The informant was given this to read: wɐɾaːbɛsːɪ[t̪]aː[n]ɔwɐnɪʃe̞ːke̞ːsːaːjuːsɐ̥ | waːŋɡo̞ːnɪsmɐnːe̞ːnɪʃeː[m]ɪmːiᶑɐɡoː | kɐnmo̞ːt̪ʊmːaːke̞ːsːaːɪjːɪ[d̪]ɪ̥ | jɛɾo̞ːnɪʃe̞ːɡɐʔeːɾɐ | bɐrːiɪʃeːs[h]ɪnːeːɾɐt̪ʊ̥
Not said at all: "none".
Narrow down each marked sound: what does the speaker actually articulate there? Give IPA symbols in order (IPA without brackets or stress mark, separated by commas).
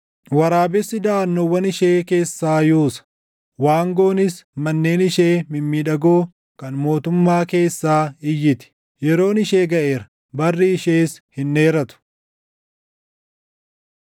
d̪, nː, m, t̪, h